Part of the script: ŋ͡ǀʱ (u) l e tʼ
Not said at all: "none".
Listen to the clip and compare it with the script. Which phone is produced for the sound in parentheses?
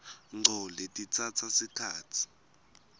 ɔ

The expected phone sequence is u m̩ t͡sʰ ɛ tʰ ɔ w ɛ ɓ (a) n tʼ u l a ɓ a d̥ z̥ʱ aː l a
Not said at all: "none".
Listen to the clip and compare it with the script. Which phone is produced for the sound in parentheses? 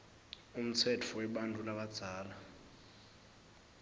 a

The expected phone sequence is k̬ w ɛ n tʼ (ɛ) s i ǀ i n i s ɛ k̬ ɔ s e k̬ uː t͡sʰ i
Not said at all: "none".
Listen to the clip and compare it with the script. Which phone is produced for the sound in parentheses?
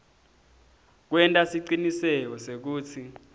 a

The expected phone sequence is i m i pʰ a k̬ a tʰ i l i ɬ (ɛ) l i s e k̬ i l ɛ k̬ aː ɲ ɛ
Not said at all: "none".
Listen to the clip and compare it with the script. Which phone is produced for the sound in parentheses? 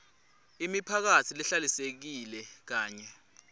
a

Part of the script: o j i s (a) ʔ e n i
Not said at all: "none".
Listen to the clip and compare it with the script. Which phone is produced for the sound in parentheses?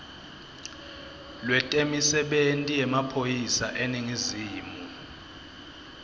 a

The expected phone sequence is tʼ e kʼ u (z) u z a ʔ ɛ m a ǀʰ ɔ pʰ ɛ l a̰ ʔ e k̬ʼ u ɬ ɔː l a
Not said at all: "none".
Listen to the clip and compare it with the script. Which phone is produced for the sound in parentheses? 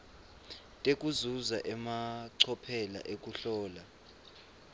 z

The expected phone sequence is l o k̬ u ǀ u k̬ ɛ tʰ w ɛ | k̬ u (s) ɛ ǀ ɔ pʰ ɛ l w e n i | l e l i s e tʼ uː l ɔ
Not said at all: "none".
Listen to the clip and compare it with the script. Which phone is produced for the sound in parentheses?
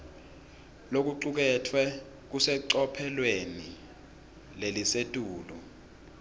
s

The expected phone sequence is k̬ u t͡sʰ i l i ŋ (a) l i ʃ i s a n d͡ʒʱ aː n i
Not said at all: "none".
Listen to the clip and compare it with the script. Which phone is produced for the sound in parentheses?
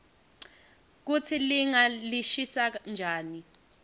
a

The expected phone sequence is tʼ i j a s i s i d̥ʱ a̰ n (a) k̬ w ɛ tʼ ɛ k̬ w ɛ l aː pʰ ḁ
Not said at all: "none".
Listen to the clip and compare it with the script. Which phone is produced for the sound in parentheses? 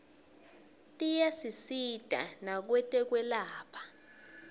a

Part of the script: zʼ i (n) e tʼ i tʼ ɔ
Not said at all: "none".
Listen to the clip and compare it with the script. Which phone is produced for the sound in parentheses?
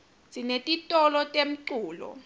n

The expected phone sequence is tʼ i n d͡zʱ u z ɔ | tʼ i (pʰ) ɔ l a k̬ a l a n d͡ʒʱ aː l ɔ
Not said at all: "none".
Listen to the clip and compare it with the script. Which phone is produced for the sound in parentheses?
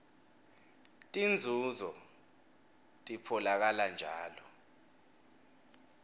pʰ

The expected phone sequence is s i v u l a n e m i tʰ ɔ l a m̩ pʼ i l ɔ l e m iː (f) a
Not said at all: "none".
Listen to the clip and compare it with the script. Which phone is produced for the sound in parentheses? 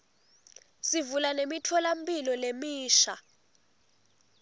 ʃ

